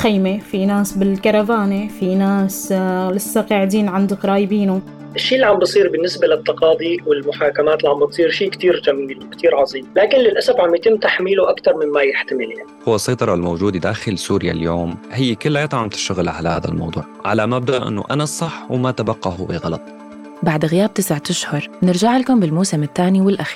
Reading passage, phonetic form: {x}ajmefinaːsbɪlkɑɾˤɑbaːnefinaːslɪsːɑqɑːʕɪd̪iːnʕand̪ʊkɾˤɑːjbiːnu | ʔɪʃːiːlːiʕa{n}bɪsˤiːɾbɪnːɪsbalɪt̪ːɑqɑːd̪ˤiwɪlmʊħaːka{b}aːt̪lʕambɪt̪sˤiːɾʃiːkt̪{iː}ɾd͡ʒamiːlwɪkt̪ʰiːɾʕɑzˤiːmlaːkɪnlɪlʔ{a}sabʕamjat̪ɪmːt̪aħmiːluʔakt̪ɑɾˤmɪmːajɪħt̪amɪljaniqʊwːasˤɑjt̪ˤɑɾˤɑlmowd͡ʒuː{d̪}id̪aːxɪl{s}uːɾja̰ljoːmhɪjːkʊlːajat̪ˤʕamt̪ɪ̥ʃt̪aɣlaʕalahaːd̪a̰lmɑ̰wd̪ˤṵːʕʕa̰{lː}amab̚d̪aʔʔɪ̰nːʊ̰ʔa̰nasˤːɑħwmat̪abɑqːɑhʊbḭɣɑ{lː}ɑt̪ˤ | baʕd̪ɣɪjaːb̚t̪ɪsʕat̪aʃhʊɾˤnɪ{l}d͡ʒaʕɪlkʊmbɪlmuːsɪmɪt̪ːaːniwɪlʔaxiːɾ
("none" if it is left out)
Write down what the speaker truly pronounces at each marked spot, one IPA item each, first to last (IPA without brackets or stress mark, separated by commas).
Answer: x, m, m, iː, a, d̪, s, l, l, ɾ